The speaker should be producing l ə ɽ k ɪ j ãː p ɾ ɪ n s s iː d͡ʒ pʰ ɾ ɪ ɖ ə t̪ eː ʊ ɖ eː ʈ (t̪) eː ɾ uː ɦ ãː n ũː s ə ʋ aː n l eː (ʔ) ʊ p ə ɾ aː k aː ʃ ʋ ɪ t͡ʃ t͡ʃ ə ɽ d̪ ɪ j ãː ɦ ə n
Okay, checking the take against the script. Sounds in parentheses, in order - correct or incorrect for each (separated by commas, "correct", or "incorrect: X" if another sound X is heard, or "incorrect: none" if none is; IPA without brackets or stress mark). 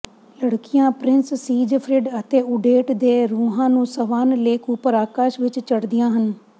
incorrect: d̪, incorrect: k